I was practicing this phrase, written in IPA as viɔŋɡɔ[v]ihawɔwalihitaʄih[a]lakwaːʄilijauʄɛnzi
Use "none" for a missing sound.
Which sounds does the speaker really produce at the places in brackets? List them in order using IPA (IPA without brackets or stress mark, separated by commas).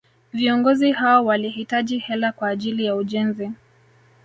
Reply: z, ɛ